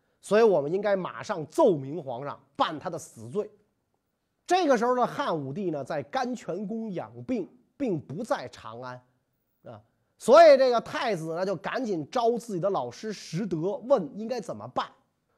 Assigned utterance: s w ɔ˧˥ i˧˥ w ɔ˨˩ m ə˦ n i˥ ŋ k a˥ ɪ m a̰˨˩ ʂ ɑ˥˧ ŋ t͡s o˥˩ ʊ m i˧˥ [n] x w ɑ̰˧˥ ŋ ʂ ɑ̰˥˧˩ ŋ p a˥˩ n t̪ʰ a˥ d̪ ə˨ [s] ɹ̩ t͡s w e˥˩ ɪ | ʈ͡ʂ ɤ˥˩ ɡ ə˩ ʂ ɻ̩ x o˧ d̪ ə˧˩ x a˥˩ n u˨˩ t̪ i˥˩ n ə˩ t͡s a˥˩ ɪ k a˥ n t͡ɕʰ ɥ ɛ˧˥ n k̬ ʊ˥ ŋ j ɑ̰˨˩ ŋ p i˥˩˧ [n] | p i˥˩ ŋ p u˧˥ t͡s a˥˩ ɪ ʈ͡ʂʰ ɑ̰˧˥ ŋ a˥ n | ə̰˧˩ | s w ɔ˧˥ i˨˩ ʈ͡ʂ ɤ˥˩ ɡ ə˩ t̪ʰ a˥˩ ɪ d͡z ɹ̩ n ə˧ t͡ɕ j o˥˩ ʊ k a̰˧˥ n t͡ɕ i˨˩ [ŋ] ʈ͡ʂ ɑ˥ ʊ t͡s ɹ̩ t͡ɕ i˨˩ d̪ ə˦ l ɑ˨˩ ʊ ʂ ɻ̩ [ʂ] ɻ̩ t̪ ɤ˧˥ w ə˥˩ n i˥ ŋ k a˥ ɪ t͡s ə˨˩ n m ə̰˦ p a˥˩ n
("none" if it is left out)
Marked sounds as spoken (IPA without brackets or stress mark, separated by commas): ŋ, s, ŋ, n, ʂ